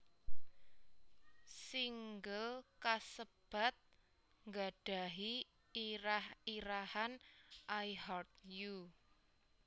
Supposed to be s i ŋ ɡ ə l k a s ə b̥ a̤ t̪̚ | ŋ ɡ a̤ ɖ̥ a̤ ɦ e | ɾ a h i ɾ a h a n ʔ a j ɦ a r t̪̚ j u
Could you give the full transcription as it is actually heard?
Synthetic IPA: s i ŋ ɡ ə l k a s ə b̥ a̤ t̪̚ | ŋ ɡ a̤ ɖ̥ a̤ ɦ i | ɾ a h i ɾ a h a n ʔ a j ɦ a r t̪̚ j u

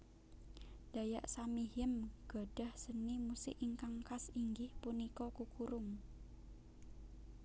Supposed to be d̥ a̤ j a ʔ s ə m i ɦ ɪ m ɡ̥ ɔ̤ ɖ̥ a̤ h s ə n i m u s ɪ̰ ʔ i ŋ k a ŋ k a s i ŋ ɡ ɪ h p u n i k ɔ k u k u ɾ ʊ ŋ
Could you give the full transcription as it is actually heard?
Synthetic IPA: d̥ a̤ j a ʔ s a m i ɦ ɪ m ɡ̥ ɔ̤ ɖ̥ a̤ h s ə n i m u s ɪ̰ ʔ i ŋ k a ŋ k a s i ŋ ɡ ɪ h p u n i k ɔ k u k u ɾ ʊ ŋ

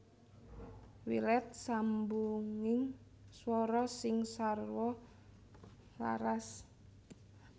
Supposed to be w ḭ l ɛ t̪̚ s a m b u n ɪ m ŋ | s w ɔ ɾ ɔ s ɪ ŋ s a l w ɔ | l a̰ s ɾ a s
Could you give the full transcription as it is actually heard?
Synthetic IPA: w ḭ l ɛ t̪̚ s a m b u ŋ ɪ ŋ | s w ɔ ɾ ɔ s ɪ ŋ s a r w ɔ | l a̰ ɾ a s

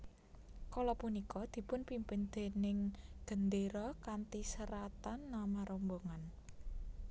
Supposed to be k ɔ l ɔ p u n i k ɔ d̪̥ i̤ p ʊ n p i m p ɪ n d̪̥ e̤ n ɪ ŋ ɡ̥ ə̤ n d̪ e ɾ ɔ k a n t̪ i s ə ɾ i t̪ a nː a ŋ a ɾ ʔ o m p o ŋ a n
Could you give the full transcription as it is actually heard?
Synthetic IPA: k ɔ l ɔ p u n i k ɔ d̪̥ i̤ p ʊ n p i m p ɪ n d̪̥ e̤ n ɪ ŋ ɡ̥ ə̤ n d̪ e ɾ ɔ k a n t̪ i s ə ɾ a t̪ a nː a m a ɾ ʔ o m b o ŋ a n

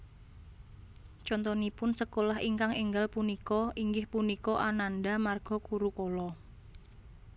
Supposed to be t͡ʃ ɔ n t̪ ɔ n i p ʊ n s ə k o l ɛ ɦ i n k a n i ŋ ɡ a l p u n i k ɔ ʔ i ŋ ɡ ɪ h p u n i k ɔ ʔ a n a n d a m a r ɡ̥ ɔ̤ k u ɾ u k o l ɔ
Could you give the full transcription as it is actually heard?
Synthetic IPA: t͡ʃ ɔ n t̪ ɔ n i p ʊ n s ə k o l a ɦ i ŋ k a ŋ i ŋ ɡ a l p u n i k ɔ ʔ i ŋ ɡ ɪ h p u n i k ɔ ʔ a n a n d a m a r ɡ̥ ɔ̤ k u ɾ u k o l ɔ

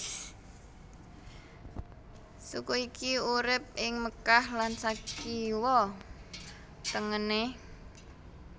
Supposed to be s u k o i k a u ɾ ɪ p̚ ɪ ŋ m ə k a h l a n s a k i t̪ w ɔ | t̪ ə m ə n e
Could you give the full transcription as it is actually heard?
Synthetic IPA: s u k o i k i u ɾ ɪ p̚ ɪ ŋ m ə k a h l a n s a k i w ɔ | t̪ ə ŋ ə n e

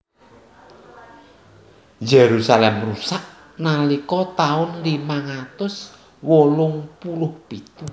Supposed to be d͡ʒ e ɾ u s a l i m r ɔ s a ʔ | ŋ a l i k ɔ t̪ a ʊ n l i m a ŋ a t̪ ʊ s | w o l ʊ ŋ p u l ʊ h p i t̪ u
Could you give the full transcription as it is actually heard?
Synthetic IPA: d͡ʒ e ɾ u s a l ɛ m r u s a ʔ | n a l i k ɔ t̪ a ʊ n l i m a ŋ a t̪ ʊ s | w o l ʊ ŋ p u l ʊ h p i t̪ u

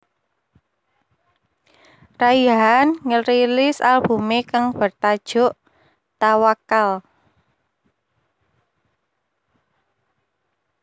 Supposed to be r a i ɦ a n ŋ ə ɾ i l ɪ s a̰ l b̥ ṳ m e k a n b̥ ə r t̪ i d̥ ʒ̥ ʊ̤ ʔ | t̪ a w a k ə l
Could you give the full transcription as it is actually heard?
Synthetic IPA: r a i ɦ a n ŋ ə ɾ i l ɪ s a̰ l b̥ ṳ m e k a ŋ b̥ ə r t̪ a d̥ ʒ̥ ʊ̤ ʔ | t̪ a w a k a l

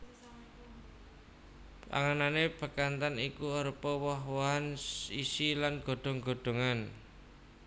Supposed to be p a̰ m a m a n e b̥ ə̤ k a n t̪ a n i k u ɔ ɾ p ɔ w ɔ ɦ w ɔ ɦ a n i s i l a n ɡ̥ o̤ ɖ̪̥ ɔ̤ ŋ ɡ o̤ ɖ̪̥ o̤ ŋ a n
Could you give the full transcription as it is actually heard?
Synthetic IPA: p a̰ ŋ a n a n e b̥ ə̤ k a n t̪ a n i k u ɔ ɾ p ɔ w ɔ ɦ w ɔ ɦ a n i s i l a n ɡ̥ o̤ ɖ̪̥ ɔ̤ ŋ ɡ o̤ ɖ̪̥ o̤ ŋ a n

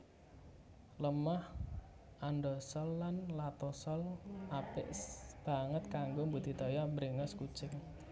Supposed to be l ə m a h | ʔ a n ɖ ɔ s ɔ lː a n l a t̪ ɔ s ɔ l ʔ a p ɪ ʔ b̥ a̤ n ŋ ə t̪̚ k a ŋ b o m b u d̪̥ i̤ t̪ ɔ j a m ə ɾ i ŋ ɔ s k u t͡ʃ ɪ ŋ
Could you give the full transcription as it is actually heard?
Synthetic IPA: l ə m a h | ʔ a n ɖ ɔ s ɔ lː a n l a t̪ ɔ s ɔ l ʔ a p ɪ ʔ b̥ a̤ ŋ ə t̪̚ k a ŋ ɡ o m b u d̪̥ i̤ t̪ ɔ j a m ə ɾ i ŋ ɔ s k u t͡ʃ ɪ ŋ

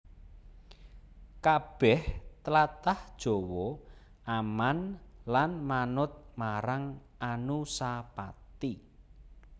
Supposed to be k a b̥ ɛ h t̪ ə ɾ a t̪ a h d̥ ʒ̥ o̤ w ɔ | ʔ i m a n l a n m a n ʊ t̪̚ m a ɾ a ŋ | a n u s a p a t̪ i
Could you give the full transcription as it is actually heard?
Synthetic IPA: k a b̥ ɛ h t̪ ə l a t̪ a h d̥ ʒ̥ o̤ w ɔ | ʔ a m a n l a n m a n ʊ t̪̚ m a ɾ a ŋ | a n u s a p a t̪ i

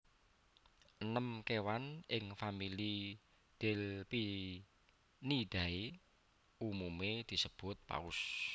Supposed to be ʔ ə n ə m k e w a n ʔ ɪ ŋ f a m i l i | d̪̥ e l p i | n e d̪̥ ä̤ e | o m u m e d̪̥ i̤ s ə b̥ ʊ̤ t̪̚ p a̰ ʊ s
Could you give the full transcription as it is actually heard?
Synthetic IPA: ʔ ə n ə m k e w a n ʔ ɪ ŋ f a m i l i | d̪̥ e l p i | n i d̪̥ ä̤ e | u m u m e d̪̥ i̤ s ə b̥ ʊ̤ t̪̚ p a̰ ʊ s

